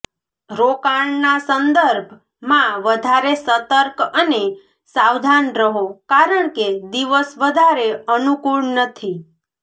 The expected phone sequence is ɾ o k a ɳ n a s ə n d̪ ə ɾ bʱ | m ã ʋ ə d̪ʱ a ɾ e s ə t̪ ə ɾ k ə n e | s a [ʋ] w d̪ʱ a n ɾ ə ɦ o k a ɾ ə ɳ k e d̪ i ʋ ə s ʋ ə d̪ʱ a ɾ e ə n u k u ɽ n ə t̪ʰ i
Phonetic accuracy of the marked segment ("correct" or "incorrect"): incorrect